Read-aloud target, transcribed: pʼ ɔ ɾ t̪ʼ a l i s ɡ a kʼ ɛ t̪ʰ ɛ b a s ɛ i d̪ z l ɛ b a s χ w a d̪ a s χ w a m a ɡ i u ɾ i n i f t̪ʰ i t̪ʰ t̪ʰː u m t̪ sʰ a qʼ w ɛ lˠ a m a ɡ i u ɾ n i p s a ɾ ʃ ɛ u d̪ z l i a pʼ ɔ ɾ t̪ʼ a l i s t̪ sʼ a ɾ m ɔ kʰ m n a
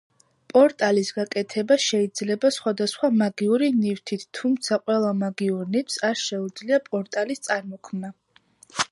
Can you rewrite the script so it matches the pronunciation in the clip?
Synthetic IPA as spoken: pʼ ɔ ɾ t̪ʼ a l i s ɡ a kʼ ɛ t̪ʰ ɛ b a ʃ ɛ i d̪ z l ɛ b a s χ w a d̪ a s χ w a m a ɡ i u ɾ i n i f t̪ʰ i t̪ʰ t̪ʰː u m t̪ sʰ a qʼ w ɛ lˠ a m a ɡ i u ɾ n i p s a ɾ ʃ ɛ u d̪ z l i a pʼ ɔ ɾ t̪ʼ a l i s t̪ sʼ a ɾ m ɔ kʰ m n a

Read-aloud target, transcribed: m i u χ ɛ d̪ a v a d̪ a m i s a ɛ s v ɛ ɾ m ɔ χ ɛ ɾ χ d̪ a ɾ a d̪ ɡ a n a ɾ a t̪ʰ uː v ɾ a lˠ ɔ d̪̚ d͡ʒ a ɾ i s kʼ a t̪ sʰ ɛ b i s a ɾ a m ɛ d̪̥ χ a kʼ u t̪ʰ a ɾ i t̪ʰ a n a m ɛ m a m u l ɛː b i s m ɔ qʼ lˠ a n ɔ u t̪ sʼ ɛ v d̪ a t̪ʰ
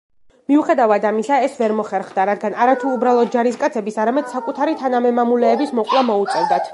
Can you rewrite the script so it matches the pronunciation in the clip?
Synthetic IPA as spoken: m i u χ ɛ d̪ a v a d̪ a m i s a ɛ s v ɛ ɾ m ɔ χ ɛ ɾ χ d̪ a ɾ a d̪ ɡ a n a ɾ a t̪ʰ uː b ɾ a lˠ ɔ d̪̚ d͡ʒ a ɾ i s kʼ a t̪ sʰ ɛ b i s a ɾ a m ɛ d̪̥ s a kʼ u t̪ʰ a ɾ i t̪ʰ a n a m ɛ m a m u l ɛː b i s m ɔ qʼ lˠ a m ɔ u t̪ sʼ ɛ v d̪ a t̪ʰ

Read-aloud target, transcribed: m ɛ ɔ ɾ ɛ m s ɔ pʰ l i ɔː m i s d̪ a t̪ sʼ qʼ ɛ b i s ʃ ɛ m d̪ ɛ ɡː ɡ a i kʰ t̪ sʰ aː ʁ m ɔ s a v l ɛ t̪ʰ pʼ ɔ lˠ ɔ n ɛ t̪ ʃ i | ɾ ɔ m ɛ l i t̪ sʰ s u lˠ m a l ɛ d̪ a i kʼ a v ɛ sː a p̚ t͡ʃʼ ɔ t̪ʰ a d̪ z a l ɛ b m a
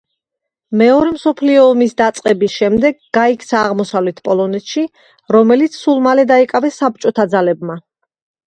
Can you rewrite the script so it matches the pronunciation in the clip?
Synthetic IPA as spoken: m ɛ ɔ ɾ ɛ m s ɔ pʰ l i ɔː m i s d̪ a t̪ sʼ qʼ ɛ b i s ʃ ɛ m d̪ ɛ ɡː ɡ a i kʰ t̪ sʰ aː ʁ m ɔ s a v l ɛ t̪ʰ pʼ ɔ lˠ ɔ n ɛ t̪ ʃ i | ɾ ɔ m ɛ l i t̪ sʰ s u lˠ m a l ɛ d̪ a i kʼ a v ɛ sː a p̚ t͡ʃʼ ɔ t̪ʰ a d̪ z a l ɛ b m a

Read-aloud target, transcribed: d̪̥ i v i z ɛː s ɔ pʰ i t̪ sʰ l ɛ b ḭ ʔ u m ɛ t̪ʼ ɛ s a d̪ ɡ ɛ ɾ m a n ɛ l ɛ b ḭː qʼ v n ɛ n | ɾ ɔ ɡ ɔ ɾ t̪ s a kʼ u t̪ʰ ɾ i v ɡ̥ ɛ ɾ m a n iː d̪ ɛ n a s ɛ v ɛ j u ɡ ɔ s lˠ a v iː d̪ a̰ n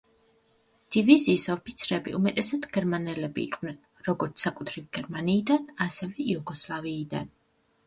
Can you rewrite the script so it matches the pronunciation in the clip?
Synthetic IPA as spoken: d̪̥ i v i z iː s ɔ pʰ i t̪ sʰ ɾ ɛ b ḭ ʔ u m ɛ t̪ʼ ɛ s a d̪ ɡ ɛ ɾ m a n ɛ l ɛ b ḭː qʼ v n ɛ n | ɾ ɔ ɡ ɔ ɾ t̪ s a kʼ u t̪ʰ ɾ i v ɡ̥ ɛ ɾ m a n iː d̪ a n a s ɛ v ɛ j u ɡ ɔ s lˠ a v iː d̪ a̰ n

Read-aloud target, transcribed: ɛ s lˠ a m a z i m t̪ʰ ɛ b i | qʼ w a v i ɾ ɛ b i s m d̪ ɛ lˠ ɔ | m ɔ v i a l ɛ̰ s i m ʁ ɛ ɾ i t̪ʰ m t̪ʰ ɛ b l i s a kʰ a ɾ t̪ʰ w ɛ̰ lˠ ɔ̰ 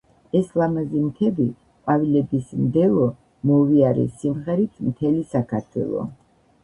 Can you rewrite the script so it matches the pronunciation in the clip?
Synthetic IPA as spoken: ɛ s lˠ a m a z i m t̪ʰ ɛ b i | qʼ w a v i l ɛ b i s m d̪ ɛ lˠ ɔ | m ɔ v i a ɾ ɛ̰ s i m ʁ ɛ ɾ i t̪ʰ m t̪ʰ ɛ l i s a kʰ a ɾ t̪ʰ w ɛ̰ lˠ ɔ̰

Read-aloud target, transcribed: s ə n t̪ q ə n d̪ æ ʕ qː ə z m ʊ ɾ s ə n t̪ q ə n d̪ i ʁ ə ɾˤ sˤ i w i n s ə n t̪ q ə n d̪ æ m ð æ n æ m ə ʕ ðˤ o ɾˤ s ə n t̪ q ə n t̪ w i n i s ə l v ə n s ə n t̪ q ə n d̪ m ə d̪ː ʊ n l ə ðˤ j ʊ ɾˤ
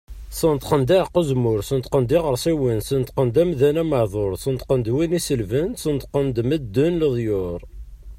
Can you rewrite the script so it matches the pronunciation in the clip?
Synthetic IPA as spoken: s ə n t̪ q ə n d̪ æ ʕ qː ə z m ʊ ɾ s ə n t̪ q ə n d̪ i ʁ ə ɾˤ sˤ i w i n s ə n t̪ q ə n d̪ æ m ð æ n æ m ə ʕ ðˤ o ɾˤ s ə n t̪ q ə n d̪ w i n i s ə l v ə n s ə n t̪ q ə n d̪ m ə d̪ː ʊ n l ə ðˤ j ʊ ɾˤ

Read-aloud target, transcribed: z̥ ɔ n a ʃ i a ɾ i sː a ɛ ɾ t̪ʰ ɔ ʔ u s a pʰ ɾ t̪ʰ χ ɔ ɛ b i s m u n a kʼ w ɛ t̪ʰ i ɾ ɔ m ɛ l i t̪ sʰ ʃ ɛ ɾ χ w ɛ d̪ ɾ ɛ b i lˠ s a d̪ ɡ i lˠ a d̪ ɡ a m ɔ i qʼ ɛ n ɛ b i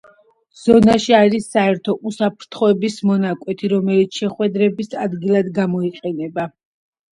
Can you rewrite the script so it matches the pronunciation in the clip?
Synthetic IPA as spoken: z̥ ɔ n a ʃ i a ɾ i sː a ɛ ɾ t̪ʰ ɔ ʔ u s a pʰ ɾ t̪ʰ χ ɔ ɛ b i s m ɔ n a kʼ w ɛ t̪ʰ i ɾ ɔ m ɛ l i t̪ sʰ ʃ ɛ χ w ɛ d̪ ɾ ɛ b i s a d̪ ɡ i lˠ a d̪ ɡ a m ɔ i qʼ ɛ n ɛ b a

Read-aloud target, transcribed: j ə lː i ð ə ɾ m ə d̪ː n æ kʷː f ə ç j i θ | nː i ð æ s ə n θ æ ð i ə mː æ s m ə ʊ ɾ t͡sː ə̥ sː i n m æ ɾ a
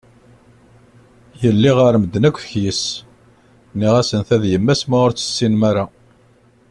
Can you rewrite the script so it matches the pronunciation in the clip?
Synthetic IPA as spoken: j ə lː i ʁ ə ɾ m ə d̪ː n æ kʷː f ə ç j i s | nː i ʁ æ s ə n θ æ ð j ə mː æ s m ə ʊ ɾ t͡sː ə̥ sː i n m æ ɾ a

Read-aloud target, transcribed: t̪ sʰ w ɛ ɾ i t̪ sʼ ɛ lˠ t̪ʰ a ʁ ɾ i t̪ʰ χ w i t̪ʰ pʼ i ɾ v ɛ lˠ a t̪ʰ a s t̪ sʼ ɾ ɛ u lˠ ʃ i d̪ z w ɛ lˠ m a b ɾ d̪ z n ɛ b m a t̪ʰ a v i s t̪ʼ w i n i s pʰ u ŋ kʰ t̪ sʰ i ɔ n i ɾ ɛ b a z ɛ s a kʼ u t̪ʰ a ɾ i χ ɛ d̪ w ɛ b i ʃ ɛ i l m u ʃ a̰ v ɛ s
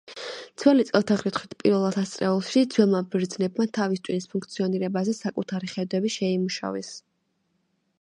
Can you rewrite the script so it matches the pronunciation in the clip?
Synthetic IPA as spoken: t̪ sʰ w ɛ l i t̪ sʼ ɛ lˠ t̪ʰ a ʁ ɾ i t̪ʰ χ w i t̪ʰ pʼ i ɾ v ɛ lˠ a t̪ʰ a s t̪ sʼ ɾ ɛ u lˠ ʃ i d̪ z w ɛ lˠ m a b ɾ d̪ z n ɛ b m a t̪ʰ a v i s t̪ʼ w i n i s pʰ u ŋ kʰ t̪ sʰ i ɔ n i ɾ ɛ b a z ɛ s a kʼ u t̪ʰ a ɾ i χ ɛ d̪ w ɛ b i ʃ ɛ i m u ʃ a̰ v ɛ s

